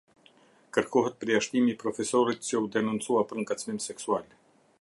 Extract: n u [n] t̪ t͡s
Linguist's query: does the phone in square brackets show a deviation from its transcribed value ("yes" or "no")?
no